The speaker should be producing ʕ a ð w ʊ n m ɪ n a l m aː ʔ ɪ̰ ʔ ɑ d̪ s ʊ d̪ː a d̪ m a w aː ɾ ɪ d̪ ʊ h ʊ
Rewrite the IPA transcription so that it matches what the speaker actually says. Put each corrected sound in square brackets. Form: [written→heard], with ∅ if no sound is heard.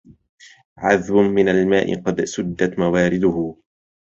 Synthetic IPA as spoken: ʕ a ð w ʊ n m ɪ n a l m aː ʔ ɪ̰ [ʔ→q] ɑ d̪ s ʊ d̪ː a [d̪→t̪] m a w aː ɾ ɪ d̪ ʊ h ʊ